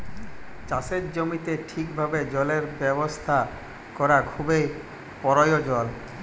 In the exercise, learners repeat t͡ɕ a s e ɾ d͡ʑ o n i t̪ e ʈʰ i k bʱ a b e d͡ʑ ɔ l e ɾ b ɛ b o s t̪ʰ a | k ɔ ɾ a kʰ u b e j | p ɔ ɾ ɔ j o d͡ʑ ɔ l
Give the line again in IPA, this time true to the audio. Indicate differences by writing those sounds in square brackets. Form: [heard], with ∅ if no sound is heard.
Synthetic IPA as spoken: t͡ɕ a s e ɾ d͡ʑ o [m] i t̪ e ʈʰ i k bʱ a b e d͡ʑ ɔ l e ɾ b ɛ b o s t̪ʰ a | k ɔ ɾ a kʰ u b e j | p ɔ ɾ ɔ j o d͡ʑ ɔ l